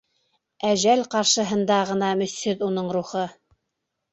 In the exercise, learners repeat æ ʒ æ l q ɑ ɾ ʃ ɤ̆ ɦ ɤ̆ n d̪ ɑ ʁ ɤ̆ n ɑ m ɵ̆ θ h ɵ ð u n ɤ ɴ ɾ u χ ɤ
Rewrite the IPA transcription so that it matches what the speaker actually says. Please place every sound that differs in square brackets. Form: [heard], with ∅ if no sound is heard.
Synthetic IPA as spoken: æ ʒ æ l q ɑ ɾ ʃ ɤ̆ ɦ ɤ̆ n d̪ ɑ ʁ ɤ̆ n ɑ m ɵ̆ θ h ɵ ð u n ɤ ɴ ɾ u χ ɤ

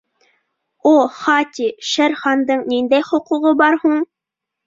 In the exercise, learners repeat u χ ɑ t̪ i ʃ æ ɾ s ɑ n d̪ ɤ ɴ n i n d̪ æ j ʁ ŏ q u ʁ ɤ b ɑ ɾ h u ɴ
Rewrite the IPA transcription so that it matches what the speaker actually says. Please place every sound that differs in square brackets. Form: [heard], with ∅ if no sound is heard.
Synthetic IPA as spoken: u χ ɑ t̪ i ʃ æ ɾ [χ] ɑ n d̪ ɤ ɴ n i n d̪ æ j [χ] ŏ q u ʁ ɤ b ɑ ɾ h u ɴ

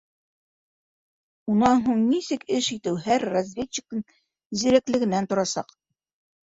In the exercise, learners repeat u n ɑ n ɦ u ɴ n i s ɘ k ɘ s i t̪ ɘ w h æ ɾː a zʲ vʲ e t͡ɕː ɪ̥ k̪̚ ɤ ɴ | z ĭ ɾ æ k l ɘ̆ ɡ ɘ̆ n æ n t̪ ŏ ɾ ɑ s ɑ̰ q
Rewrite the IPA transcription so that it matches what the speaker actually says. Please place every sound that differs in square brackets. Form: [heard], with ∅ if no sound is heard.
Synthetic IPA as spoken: u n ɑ n ɦ u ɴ n i s ɘ k ɘ [ʃ] i t̪ ɘ w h æ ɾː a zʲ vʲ e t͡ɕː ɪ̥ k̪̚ ɤ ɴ | z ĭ ɾ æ k l ɘ̆ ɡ ɘ̆ n æ n t̪ ŏ ɾ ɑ s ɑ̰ q

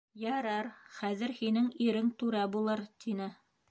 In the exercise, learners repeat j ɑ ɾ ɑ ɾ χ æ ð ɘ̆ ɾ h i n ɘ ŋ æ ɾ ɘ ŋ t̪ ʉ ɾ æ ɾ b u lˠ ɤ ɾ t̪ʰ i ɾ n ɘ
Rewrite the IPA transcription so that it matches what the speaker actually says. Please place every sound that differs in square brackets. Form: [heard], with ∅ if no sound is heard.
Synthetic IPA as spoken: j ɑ ɾ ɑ ɾ χ æ ð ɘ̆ ɾ h i n ɘ ŋ [i] ɾ ɘ ŋ t̪ ʉ ɾ æ [∅] b u lˠ ɤ ɾ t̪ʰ i [∅] n ɘ

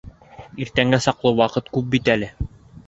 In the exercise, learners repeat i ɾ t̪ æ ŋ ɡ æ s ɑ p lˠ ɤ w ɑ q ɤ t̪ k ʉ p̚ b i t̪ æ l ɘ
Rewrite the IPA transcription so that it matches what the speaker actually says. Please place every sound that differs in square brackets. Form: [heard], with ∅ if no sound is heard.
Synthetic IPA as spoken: i ɾ t̪ æ ŋ ɡ æ s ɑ [q] lˠ ɤ w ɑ q ɤ t̪ k ʉ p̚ b i t̪ æ l ɘ

